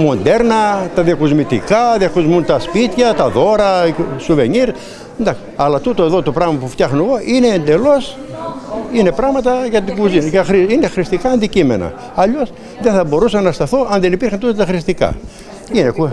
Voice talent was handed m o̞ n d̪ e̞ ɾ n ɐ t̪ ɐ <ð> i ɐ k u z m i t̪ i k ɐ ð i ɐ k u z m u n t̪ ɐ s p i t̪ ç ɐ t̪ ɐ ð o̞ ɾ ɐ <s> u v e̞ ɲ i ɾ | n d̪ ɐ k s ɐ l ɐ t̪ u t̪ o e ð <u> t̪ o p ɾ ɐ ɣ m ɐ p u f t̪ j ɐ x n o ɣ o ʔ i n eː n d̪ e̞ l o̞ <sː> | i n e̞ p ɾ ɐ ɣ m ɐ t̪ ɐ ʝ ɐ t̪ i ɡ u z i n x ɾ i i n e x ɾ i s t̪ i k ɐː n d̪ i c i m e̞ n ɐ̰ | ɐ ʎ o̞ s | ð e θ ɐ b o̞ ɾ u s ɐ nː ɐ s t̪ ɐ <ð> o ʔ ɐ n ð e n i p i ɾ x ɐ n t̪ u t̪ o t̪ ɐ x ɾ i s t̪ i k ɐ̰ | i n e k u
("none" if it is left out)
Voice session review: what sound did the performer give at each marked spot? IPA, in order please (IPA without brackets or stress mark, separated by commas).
ð, s, o, s, θ